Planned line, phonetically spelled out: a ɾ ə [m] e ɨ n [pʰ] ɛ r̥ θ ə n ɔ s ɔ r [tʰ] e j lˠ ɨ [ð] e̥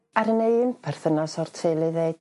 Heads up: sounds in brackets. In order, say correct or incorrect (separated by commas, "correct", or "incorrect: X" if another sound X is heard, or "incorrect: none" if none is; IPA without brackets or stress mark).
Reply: incorrect: n, correct, correct, correct